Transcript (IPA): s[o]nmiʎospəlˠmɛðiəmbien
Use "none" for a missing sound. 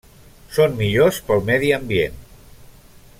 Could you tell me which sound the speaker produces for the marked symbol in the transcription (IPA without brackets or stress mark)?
o